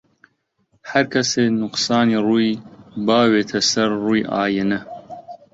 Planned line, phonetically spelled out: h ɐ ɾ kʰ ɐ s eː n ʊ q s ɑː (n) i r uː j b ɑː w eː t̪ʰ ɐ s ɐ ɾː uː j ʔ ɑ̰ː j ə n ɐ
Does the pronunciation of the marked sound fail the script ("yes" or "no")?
no